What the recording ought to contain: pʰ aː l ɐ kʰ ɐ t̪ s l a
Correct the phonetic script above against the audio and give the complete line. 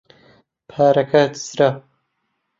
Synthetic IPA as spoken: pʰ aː ɾ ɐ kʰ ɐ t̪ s ɾ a